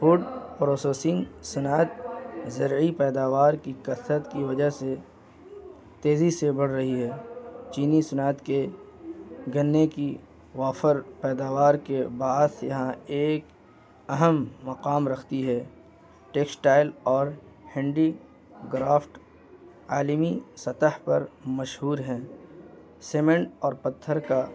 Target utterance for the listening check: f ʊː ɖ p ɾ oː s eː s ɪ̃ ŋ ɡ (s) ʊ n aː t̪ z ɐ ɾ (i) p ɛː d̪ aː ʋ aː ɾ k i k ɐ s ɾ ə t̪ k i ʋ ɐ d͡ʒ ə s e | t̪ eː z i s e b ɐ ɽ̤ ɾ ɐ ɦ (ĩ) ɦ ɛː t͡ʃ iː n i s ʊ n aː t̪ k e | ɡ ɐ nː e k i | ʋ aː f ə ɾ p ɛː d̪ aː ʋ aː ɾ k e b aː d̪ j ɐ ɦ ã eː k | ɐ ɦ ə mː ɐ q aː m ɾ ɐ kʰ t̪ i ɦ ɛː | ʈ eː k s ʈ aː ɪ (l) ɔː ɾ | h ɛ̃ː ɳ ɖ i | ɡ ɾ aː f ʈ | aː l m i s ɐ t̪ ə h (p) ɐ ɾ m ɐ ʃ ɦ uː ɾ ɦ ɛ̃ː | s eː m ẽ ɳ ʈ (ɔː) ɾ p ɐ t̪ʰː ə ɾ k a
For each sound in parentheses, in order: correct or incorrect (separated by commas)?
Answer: correct, correct, incorrect, correct, correct, correct